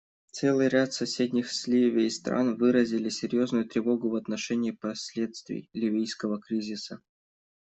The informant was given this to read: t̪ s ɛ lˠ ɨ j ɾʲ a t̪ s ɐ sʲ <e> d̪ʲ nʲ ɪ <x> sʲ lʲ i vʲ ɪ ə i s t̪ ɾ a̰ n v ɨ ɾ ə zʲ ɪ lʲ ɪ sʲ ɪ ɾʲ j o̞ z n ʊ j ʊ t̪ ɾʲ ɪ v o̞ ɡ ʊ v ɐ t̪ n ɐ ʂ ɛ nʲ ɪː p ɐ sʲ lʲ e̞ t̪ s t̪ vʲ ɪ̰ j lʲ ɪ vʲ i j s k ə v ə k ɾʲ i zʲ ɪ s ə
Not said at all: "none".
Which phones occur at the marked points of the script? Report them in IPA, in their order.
e, x

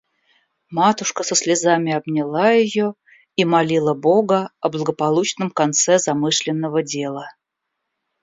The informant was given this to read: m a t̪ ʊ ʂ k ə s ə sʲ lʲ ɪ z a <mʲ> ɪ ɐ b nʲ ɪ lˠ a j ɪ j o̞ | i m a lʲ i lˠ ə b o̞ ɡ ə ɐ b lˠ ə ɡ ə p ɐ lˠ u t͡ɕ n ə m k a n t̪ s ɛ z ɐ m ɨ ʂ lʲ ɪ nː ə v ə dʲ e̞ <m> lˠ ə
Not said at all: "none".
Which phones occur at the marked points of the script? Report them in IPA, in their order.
mʲ, none

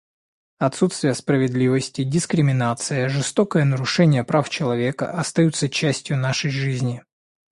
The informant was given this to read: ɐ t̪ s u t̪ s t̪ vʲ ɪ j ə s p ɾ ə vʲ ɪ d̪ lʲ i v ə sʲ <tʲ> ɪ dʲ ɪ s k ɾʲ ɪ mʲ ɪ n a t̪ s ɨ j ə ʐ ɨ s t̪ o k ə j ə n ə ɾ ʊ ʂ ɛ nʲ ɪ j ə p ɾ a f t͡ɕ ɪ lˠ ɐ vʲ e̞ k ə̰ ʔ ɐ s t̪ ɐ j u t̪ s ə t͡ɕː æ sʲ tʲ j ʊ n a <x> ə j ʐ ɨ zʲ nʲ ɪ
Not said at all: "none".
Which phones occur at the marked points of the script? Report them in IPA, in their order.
tʲ, ʂ

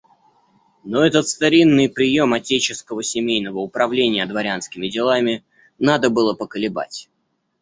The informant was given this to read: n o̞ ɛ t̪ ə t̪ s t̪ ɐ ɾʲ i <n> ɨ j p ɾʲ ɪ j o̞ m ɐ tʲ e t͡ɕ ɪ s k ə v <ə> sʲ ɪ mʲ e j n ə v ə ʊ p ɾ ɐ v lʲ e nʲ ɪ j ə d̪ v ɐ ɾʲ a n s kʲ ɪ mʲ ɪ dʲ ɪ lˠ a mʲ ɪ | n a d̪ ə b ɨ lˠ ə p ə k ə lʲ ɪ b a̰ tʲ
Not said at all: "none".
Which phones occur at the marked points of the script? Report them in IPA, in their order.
nː, ə

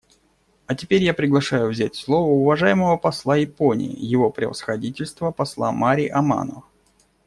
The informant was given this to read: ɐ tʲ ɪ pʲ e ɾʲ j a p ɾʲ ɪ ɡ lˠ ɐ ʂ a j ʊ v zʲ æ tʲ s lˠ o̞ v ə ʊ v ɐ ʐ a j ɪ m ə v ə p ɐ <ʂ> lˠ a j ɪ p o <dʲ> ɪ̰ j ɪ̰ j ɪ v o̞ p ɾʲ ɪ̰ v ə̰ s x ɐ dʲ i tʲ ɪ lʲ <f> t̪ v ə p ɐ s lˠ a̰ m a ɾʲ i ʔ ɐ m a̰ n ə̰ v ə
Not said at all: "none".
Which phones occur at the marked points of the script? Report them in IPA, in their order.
s, nʲ, s

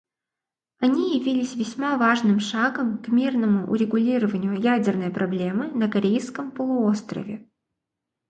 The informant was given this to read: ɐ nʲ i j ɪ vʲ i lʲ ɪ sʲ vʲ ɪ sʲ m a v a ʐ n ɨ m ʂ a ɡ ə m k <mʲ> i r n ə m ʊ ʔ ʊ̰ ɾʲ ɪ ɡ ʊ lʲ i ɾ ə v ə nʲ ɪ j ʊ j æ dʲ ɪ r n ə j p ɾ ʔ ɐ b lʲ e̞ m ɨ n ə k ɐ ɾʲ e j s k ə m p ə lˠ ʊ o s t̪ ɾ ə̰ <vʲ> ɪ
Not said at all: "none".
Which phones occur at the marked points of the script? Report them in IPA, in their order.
mʲ, vʲ

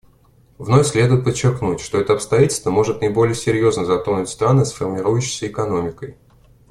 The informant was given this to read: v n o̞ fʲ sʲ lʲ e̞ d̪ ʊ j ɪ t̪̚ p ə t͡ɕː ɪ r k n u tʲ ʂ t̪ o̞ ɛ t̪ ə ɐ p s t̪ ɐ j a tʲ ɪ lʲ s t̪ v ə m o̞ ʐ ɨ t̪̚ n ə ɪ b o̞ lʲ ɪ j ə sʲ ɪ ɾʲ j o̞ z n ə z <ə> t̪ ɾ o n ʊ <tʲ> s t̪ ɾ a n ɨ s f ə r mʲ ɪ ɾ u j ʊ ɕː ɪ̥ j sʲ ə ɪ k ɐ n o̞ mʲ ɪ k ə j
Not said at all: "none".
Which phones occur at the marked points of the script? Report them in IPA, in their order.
ɐ, tʲ

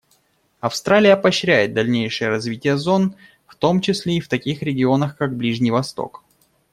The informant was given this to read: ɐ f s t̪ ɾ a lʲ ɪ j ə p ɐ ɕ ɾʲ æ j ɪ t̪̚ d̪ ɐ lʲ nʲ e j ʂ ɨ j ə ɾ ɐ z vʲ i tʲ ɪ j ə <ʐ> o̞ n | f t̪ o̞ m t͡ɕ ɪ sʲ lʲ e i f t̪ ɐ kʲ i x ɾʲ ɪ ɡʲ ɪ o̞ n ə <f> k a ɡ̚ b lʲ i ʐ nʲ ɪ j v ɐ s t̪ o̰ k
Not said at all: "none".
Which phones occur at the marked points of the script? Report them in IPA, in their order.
z, x

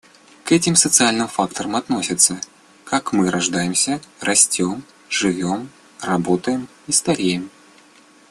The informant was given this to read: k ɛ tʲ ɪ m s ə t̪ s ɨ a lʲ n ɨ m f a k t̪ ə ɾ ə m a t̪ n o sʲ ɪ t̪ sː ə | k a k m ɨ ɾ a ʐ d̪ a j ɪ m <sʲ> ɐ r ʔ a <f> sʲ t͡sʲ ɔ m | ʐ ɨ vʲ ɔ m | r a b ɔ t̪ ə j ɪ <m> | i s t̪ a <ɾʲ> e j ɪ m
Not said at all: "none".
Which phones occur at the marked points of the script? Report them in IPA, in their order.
sʲ, none, m, ɾʲ

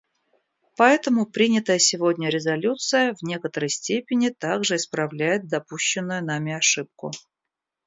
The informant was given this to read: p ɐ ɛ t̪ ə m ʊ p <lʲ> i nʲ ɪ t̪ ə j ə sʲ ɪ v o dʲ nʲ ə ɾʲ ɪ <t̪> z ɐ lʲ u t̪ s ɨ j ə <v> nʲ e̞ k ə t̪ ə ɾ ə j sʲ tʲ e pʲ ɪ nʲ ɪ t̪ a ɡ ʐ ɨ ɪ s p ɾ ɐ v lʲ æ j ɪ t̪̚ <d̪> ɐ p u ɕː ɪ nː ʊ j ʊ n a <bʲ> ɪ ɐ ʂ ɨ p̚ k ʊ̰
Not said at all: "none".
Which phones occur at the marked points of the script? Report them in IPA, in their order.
ɾʲ, none, v, d̪, mʲ

